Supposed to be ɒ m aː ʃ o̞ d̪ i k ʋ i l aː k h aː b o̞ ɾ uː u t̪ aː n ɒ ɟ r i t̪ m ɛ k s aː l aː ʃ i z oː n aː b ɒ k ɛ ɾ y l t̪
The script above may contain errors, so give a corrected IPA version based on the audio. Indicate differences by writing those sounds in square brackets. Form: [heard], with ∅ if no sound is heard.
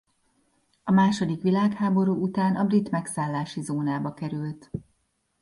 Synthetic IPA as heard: ɒ m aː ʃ o̞ d̪ i k ʋ i l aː k h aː b o̞ ɾ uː u t̪ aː n ɒ [b] r i t̪ m ɛ k s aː [lː] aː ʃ i z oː n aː b ɒ k ɛ ɾ y l t̪